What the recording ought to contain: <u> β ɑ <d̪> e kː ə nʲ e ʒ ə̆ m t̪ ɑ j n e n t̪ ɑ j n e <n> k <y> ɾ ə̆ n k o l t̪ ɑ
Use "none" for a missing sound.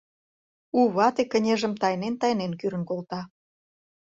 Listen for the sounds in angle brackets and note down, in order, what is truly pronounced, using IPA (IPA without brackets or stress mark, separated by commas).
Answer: u, t̪, n, y